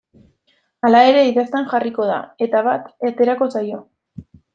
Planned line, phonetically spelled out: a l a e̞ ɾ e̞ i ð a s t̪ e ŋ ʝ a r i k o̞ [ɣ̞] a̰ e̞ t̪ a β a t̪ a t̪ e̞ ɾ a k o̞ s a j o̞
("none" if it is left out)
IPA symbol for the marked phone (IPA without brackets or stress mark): ð̞